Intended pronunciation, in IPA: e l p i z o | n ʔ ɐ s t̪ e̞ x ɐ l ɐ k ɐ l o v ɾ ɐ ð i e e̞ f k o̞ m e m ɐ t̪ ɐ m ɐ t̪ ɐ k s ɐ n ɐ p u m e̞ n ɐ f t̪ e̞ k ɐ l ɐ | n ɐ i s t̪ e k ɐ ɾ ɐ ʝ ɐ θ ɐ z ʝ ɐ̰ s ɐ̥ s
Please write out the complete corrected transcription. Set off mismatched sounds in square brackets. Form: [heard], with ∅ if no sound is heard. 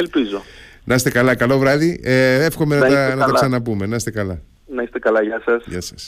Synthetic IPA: e l p i z o | n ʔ ɐ s t̪ e̞ [k] ɐ l ɐ k ɐ l o v ɾ ɐ ð i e e̞ f [x] o̞ m e [n] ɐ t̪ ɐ [n] ɐ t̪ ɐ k s ɐ n ɐ p u m e̞ n ɐ [s] t̪ e̞ k ɐ l ɐ | n ɐ i s t̪ e k ɐ [l] ɐ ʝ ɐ [s] ɐ [s] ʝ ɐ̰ s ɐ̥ s